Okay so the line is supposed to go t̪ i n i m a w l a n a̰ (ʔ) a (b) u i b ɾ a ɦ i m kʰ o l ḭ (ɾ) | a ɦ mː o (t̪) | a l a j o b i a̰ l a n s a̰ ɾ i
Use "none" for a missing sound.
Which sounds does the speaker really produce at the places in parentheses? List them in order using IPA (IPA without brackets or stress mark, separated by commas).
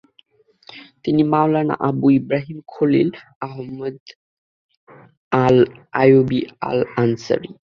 ʔ, b, l, d̪